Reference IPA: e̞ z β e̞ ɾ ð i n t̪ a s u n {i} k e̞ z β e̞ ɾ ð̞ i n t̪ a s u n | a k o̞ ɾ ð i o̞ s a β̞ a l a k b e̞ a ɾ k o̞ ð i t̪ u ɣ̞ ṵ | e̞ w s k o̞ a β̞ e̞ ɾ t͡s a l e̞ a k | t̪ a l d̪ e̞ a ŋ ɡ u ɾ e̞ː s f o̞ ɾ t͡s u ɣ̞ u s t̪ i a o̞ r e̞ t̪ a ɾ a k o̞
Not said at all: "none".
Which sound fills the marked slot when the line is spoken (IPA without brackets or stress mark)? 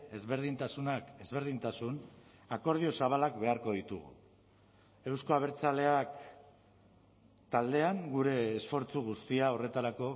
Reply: a